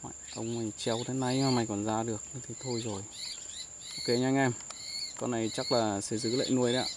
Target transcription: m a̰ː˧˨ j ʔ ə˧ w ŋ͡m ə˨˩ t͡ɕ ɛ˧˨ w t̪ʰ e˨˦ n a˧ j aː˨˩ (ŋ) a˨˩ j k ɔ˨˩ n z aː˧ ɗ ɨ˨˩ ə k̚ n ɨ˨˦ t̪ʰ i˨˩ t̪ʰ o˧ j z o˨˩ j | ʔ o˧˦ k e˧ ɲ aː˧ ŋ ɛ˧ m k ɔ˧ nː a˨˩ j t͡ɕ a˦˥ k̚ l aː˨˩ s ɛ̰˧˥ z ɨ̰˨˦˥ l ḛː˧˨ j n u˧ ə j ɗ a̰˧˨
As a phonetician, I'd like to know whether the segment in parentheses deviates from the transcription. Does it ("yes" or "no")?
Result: yes